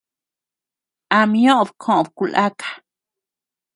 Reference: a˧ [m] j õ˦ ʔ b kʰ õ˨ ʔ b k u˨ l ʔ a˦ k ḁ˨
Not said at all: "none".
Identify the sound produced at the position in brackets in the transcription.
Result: m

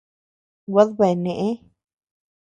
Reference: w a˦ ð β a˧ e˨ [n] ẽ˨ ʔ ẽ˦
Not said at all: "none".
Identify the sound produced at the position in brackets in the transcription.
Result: n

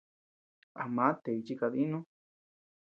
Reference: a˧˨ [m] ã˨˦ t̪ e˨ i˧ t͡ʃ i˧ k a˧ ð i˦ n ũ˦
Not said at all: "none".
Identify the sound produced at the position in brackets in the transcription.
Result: m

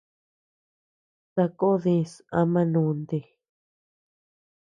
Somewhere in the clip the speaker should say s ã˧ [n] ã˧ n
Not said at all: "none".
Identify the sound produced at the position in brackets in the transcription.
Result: m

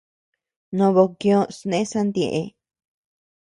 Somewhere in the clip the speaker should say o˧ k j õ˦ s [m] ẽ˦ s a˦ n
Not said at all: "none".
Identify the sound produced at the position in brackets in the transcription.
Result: n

